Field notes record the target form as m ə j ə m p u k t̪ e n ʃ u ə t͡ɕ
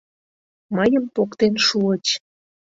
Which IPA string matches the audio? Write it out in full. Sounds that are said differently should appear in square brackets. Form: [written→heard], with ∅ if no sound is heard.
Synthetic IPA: m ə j ə m p [u→o] k t̪ e n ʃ u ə t͡ɕ